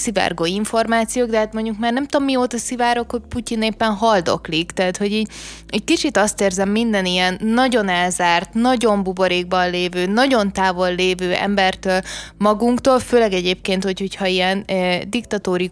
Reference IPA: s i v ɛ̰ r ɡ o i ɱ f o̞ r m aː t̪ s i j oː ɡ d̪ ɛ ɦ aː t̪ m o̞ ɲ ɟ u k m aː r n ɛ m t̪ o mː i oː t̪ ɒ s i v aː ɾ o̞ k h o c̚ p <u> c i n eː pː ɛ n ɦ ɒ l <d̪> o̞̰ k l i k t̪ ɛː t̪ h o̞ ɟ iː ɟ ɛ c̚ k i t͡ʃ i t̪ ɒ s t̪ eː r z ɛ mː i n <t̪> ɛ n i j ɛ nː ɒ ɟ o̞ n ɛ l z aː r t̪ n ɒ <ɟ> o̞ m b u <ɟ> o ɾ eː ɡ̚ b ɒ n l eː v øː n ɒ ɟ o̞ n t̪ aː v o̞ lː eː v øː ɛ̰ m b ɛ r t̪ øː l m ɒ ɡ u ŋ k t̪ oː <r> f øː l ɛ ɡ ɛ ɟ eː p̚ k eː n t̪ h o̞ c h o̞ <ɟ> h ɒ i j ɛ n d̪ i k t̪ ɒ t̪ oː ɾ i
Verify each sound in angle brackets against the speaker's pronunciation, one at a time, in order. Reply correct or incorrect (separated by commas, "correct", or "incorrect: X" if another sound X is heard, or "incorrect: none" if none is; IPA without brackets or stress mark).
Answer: correct, correct, incorrect: d̪, correct, incorrect: b, incorrect: l, incorrect: c